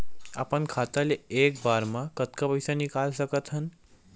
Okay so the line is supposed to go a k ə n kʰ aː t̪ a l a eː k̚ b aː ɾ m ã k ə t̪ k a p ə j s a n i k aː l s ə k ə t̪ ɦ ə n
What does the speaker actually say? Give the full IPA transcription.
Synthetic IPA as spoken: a p ə n kʰ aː t̪ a l e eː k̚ b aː ɾ m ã k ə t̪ k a p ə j s a n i k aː l s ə k ə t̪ ɦ ə n